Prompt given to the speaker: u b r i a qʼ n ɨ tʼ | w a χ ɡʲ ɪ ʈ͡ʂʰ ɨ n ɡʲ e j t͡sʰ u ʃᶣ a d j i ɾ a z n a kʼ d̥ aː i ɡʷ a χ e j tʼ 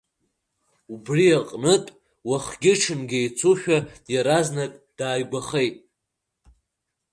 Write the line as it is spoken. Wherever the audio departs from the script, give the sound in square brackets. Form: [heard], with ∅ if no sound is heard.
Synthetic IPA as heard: u b r i a qʼ n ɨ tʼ | w a χ ɡʲ ɪ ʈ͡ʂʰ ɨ n ɡʲ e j t͡sʰ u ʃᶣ a d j [a] ɾ a z n a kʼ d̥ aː [j] ɡʷ a χ e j tʼ